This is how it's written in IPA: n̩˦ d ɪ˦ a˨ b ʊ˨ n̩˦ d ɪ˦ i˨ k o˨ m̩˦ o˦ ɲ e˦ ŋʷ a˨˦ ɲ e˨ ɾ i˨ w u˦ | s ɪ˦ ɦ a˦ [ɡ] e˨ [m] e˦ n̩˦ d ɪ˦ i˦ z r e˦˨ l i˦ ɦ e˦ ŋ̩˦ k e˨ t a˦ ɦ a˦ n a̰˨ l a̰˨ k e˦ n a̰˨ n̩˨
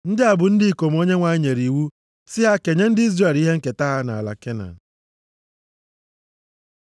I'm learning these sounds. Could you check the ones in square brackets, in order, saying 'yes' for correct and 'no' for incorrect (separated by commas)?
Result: no, no